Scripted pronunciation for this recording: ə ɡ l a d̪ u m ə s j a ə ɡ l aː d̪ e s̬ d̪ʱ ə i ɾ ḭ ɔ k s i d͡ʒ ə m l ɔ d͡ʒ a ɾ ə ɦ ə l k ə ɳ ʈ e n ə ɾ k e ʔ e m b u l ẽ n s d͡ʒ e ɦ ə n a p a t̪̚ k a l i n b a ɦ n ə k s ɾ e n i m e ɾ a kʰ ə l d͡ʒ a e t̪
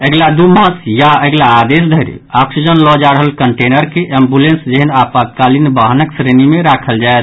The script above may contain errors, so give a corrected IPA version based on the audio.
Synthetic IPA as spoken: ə ɡ l a d̪ u m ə s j a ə ɡ l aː d̪ e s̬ d̪ʱ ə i ɾ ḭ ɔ k s i d͡ʒ ə n l ɔ d͡ʒ a ɾ ə ɦ ə l k ə ɳ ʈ e n ə ɾ k e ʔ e m b u l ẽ n s d͡ʒ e ɦ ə n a p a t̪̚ k a l i n b a ɦ n ə k s ɾ e n i m e ɾ a kʰ ə l d͡ʒ a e t̪